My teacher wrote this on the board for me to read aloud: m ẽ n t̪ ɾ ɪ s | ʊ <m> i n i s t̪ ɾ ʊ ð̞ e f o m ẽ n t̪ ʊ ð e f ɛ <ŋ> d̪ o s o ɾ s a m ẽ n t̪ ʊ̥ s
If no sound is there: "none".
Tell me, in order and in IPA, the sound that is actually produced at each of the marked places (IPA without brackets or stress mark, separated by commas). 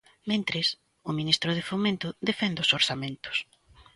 m, n